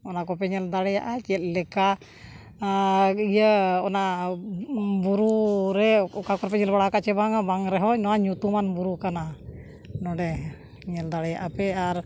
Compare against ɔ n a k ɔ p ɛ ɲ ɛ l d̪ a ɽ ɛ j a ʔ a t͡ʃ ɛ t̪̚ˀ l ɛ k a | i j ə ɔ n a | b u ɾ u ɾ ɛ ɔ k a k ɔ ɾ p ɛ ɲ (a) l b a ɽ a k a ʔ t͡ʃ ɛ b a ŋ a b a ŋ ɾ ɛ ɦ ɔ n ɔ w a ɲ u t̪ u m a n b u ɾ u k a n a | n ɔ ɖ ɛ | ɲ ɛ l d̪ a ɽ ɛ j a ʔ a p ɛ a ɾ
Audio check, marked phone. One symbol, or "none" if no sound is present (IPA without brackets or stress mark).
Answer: ɛ